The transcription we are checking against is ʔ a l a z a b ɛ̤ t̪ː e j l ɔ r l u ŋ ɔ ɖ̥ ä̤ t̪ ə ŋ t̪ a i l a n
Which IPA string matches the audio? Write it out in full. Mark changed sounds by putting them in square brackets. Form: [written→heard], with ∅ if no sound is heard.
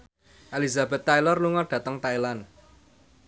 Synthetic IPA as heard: ʔ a l [a→i] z a b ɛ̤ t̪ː [e→a] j l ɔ r l u ŋ ɔ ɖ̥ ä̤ t̪ ə ŋ t̪ a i l a n